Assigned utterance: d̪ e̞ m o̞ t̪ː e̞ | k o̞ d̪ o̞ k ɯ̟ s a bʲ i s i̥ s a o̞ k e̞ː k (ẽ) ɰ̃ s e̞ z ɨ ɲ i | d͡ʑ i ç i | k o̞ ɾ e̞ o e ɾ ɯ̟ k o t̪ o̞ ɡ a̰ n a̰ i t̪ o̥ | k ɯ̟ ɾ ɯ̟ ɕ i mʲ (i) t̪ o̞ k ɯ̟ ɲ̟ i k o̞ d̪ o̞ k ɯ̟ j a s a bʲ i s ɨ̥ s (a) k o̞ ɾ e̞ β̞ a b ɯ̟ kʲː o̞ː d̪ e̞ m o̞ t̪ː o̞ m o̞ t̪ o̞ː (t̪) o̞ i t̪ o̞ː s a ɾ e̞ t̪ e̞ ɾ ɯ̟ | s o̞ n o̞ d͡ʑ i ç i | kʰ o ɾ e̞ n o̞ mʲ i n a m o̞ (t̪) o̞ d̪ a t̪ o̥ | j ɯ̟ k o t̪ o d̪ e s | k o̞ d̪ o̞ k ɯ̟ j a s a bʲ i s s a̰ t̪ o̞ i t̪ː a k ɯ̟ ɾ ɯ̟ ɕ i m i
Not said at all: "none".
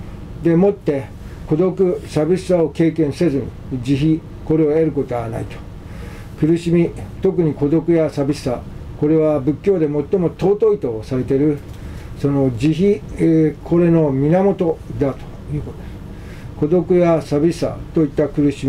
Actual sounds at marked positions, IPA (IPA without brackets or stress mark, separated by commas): ẽ, i, a, t̪, t̪